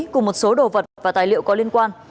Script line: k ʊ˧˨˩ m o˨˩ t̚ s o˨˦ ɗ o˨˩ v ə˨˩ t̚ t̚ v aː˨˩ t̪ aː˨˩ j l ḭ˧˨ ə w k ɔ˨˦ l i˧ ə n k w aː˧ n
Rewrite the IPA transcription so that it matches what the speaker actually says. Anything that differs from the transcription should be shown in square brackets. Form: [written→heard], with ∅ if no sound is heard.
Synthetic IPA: k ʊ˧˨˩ m o˨˩ t̚ s o˨˦ ɗ o˨˩ v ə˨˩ t̚ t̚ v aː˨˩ t̪ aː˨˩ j l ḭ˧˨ ə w k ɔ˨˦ l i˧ ə n k w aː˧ n